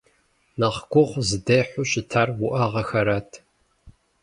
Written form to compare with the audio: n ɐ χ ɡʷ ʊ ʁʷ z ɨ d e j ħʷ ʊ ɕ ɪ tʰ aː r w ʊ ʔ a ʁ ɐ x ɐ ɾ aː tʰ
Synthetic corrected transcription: n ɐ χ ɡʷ ʊ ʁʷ z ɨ d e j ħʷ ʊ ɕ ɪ tʰ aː r w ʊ ʔ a ʁ ɐ x ɐ ɾ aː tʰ